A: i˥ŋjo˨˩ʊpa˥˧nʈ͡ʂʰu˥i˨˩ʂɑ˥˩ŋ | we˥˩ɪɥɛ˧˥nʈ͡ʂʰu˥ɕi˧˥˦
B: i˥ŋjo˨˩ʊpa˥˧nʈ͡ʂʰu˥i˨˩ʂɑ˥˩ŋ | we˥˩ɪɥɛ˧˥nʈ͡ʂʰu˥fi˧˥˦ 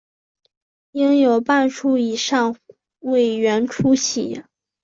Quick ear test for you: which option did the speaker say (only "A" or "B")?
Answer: A